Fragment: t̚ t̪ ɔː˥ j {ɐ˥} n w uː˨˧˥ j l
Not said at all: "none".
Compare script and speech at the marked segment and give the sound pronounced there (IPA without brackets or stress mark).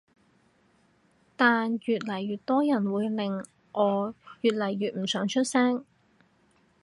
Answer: ɐ˨˩